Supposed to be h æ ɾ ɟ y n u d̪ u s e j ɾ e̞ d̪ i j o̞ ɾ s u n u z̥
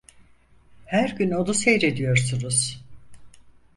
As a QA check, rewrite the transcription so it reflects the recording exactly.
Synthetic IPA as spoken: h æ ɾ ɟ y n o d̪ u s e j ɾ e̞ d̪ i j o̞ ɾ s u n u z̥

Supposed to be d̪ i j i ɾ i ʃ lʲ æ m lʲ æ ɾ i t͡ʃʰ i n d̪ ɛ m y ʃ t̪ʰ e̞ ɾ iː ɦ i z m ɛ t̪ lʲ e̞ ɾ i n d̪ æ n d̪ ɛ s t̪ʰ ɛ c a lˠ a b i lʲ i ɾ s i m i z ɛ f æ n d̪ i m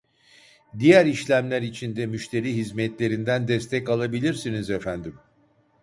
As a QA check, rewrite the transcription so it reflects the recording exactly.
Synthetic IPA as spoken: d̪ i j æ ɾ i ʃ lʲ æ m lʲ æ ɾ i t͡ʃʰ i n d̪ ɛ m y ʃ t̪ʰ e̞ ɾ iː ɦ i z m ɛ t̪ lʲ e̞ ɾ i n d̪ æ n d̪ ɛ s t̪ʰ ɛ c a lˠ a b i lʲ i ɾ s i n i z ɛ f æ n d̪ i m

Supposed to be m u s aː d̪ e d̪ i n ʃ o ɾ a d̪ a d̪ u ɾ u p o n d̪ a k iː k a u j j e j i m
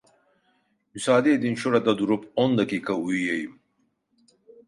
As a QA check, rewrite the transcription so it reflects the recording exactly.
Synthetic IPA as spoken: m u s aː d̪ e d̪ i n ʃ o ɾ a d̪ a d̪ u ɾ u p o n d̪ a k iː k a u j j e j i m

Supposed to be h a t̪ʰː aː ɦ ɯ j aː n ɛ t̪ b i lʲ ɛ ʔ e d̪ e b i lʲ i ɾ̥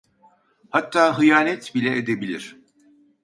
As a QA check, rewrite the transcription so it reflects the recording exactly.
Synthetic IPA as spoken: h a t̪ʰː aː ɦ ɯ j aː n ɛ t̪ b i lʲ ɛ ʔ e d̪ e b i lʲ i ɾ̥

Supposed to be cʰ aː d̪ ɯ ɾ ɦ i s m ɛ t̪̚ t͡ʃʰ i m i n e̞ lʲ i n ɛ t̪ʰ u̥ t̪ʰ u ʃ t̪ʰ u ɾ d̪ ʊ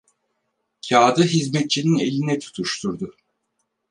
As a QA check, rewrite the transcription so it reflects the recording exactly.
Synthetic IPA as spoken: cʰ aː d̪ ɯ ɦ i z m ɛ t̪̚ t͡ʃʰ i n i n e̞ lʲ i n ɛ t̪ʰ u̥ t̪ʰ u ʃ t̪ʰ u ɾ d̪ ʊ

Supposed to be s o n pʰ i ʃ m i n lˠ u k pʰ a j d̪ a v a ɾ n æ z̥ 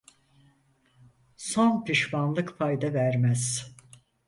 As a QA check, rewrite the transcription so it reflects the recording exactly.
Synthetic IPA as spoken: s o n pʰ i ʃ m a n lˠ ɯ k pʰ a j d̪ a v æ ɾ m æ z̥

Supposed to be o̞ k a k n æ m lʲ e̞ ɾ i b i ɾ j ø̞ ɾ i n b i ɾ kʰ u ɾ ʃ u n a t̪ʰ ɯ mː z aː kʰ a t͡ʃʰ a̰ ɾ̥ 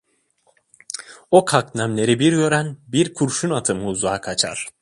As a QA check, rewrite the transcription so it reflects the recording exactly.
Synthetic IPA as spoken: o̞ kʰ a k n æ m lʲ e̞ ɾ i b i ɾ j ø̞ ɾ æ n b i ɾ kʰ u ɾ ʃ u n a t̪ʰ ɯ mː z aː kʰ a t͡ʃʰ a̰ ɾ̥

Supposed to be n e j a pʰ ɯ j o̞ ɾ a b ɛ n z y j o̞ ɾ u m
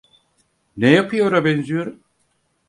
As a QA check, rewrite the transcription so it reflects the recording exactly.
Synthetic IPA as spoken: n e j a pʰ ɯ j o̞ ɾ a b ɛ n z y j o̞ ɾ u m

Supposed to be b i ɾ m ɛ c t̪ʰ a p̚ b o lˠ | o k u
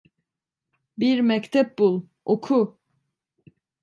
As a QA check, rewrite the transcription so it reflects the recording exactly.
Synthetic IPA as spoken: b i ɾ m ɛ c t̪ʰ ɛ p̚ b u lˠ | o kʰ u

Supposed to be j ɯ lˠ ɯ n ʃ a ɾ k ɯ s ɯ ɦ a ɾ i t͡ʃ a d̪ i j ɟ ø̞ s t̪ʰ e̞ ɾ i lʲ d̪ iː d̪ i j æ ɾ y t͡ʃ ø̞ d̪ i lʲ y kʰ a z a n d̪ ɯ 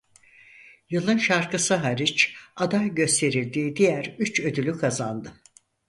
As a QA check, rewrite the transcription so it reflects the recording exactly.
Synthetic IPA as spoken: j ɯ lˠ ɯ n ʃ a ɾ k ɯ s ɯ ɦ a ɾ i t͡ʃ a d̪ a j ɟ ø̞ s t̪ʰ e̞ ɾ i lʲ d̪ iː d̪ i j æ ɾ y t͡ʃ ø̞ d̪ y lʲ y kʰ a z a n d̪ ɯ

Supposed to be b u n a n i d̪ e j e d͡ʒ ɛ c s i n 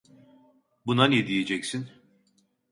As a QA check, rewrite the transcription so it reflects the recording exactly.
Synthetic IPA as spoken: b u n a n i d̪ i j e d͡ʒ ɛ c s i n

